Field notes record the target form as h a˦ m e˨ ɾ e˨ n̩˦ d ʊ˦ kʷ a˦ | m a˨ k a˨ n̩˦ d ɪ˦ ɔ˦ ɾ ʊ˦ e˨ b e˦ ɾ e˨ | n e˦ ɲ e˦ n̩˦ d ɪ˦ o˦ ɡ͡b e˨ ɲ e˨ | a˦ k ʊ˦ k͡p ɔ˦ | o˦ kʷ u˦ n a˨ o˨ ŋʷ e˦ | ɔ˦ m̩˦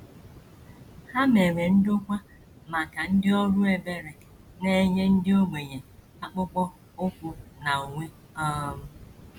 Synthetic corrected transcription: h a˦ m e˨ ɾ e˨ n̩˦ d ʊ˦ kʷ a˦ | m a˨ k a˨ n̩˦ d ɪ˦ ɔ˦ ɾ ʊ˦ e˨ b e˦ ɾ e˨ | n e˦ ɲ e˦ n̩˦ d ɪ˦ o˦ ɡ͡b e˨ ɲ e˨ | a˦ k͡p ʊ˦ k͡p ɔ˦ | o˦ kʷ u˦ n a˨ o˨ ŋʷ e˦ | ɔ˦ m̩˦